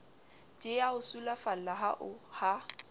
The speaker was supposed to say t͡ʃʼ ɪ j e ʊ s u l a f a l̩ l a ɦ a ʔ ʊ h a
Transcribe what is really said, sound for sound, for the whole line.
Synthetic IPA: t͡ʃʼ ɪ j a ʊ s u l a f a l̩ l a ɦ a ʔ ʊ h a